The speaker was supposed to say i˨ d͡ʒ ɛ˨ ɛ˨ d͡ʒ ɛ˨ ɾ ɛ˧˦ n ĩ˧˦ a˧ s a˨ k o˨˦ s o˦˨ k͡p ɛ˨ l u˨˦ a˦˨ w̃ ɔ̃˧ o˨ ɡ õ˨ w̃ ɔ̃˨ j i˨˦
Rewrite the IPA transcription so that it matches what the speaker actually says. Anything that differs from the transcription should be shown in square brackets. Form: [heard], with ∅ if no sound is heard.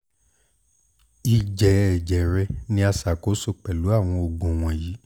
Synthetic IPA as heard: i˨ d͡ʒ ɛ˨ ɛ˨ d͡ʒ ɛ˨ ɾ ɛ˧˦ n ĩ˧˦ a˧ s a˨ k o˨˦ s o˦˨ k͡p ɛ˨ l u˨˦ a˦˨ w̃ ɔ̃˧ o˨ ɡ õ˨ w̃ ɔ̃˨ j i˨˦